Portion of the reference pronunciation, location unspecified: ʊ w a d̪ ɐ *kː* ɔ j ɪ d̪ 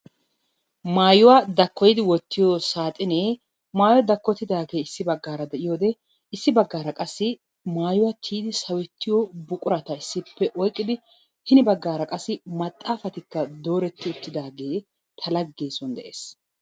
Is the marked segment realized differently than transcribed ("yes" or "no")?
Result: no